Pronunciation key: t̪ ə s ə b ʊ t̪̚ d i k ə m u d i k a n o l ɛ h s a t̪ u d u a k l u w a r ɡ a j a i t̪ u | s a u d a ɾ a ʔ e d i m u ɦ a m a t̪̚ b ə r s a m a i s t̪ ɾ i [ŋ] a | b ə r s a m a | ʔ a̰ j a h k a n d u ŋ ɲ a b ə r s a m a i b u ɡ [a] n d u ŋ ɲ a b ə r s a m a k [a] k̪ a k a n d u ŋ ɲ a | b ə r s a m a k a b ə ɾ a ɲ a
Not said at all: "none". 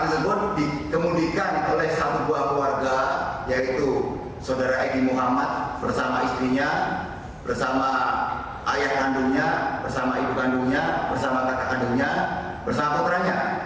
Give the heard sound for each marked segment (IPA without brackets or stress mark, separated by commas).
ɲ, a, a